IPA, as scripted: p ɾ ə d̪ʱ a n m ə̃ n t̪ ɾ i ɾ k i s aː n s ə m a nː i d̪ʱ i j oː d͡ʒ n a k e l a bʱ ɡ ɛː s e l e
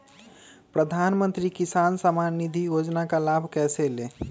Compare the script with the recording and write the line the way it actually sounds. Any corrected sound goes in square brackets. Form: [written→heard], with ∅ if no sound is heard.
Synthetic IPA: p ɾ ə d̪ʱ a n m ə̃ n t̪ ɾ i [ɾ→∅] k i s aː n s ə m a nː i d̪ʱ i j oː d͡ʒ n a k [e→a] l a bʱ [ɡ→k] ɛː s e l e